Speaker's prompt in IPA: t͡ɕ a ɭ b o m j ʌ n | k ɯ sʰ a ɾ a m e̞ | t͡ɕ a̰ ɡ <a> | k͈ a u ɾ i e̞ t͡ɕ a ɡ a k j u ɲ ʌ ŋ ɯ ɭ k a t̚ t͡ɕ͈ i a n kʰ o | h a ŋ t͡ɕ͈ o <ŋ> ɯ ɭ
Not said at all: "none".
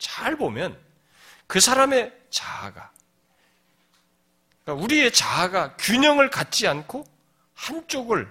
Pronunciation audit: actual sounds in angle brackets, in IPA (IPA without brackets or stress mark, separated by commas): a, ɡ